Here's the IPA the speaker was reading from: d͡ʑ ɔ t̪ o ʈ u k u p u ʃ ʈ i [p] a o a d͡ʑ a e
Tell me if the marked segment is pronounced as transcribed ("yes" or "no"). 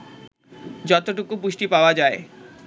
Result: yes